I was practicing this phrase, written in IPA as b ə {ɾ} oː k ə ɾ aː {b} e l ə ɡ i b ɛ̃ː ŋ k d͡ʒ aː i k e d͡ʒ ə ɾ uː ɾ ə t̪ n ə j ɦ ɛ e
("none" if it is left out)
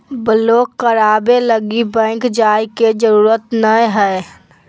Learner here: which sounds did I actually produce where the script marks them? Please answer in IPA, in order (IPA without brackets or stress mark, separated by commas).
l, b